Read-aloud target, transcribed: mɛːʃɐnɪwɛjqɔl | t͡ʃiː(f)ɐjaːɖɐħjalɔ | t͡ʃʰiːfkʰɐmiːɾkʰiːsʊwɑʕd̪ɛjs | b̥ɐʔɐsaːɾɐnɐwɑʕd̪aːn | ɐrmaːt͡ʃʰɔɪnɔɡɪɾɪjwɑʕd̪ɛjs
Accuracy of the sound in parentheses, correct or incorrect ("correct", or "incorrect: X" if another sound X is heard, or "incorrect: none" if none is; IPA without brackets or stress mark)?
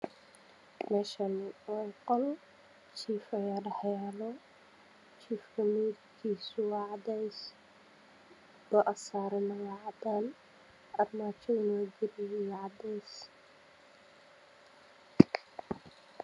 correct